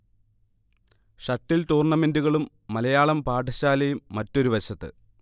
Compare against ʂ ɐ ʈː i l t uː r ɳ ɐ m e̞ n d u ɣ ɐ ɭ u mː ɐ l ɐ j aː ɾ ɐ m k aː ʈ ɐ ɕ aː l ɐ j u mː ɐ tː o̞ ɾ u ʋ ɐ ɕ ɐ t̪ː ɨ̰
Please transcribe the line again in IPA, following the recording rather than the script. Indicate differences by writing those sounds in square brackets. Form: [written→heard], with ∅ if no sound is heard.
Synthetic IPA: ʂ ɐ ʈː i l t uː r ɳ ɐ m e̞ n d u ɣ ɐ ɭ u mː ɐ l ɐ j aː [ɾ→ɭ] ɐ m [k→p] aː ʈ ɐ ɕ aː l ɐ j u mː ɐ tː o̞ ɾ u ʋ ɐ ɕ ɐ t̪ː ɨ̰